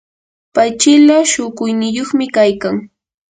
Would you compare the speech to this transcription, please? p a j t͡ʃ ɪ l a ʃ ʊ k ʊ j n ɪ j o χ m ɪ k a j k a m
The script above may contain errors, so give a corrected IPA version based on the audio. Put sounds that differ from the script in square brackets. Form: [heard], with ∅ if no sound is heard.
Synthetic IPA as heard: p a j t͡ʃ ɪ l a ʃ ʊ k ʊ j n ɪ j o χ m ɪ k a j k a [ŋ]